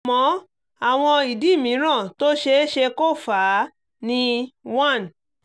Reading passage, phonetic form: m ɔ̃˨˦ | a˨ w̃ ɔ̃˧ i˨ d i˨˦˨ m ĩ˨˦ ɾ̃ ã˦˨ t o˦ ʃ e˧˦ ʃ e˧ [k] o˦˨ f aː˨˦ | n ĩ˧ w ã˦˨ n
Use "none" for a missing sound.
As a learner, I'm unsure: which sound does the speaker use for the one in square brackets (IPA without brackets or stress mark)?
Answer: k